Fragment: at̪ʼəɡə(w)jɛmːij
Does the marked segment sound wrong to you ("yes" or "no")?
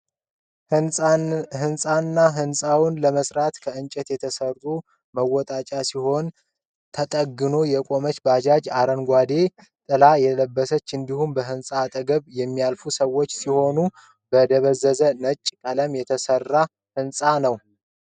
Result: yes